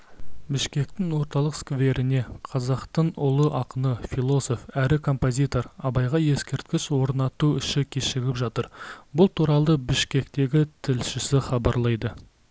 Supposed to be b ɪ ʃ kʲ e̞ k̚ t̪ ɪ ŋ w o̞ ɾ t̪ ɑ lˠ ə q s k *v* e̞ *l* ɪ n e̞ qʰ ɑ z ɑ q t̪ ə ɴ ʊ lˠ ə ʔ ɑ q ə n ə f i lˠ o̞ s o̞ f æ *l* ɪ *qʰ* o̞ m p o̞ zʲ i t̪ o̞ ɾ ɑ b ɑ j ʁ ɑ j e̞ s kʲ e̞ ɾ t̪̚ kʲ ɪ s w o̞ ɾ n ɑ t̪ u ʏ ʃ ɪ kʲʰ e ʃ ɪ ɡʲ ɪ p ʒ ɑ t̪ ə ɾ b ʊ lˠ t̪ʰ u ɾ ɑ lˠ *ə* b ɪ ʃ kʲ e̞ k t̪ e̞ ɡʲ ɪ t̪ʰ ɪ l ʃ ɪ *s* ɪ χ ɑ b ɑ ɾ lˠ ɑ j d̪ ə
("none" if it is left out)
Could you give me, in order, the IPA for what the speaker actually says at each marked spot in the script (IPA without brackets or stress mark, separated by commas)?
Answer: v, ɾ, ɾ, kʰ, ə, s